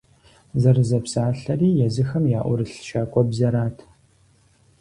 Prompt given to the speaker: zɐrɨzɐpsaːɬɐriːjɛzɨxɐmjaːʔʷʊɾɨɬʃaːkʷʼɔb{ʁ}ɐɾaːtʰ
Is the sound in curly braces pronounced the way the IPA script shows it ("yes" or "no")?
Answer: no